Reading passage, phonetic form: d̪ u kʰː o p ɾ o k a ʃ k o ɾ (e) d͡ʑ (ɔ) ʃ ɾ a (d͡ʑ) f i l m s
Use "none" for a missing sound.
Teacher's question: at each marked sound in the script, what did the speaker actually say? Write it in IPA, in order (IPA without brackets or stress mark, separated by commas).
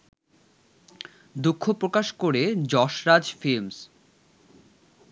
e, ɔ, d͡ʑ